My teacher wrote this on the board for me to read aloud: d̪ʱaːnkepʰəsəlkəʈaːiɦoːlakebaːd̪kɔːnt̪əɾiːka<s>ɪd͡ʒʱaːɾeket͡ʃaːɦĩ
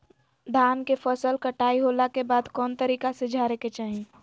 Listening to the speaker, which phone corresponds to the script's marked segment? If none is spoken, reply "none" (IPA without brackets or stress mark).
s